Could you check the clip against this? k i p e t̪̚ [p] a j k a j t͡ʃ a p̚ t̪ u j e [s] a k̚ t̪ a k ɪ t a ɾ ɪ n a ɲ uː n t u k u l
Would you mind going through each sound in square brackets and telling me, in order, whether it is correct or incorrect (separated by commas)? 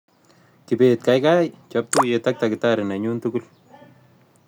incorrect, incorrect